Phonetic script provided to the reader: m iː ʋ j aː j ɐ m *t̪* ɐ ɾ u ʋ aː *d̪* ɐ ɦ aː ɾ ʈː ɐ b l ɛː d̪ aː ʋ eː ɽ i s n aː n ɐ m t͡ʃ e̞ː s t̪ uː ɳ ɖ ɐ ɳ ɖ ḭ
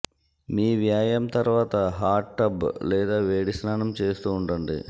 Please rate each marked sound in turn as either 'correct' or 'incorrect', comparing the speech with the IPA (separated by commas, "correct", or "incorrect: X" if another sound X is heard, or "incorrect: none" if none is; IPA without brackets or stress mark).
correct, incorrect: t̪